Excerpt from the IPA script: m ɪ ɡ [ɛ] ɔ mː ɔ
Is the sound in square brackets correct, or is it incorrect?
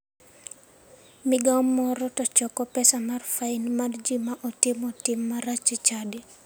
incorrect: a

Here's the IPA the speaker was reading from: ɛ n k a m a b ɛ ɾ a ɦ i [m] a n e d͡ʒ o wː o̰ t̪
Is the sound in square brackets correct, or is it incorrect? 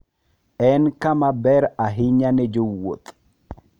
incorrect: ɲ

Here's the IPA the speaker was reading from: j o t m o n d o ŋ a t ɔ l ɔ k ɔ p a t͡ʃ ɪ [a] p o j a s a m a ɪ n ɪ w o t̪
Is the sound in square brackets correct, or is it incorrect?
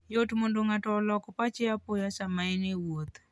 correct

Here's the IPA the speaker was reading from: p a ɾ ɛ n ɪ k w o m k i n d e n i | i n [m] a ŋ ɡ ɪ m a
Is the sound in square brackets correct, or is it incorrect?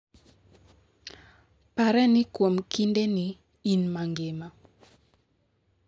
correct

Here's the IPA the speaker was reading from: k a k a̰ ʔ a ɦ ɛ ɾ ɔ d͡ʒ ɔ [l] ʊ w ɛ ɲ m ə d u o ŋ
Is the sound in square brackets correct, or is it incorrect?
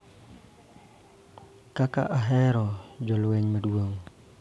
correct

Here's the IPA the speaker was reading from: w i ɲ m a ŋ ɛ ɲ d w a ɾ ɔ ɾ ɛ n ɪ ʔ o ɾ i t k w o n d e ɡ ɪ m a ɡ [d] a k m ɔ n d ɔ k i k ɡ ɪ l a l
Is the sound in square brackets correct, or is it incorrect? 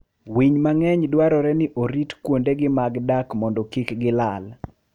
correct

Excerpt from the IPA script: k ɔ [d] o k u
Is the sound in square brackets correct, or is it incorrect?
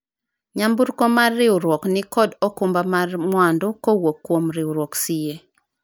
correct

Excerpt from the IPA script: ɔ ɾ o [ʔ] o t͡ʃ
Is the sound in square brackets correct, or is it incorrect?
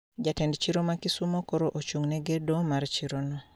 correct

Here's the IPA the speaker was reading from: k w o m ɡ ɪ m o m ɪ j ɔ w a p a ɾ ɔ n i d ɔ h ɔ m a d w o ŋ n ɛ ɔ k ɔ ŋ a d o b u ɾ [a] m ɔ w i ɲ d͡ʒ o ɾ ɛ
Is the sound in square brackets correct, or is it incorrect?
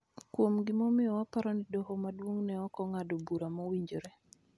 correct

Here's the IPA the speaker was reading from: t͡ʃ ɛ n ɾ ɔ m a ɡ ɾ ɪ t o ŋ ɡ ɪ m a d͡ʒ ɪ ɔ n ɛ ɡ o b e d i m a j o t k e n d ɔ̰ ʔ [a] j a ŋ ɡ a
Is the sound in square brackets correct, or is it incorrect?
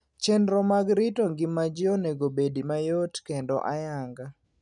correct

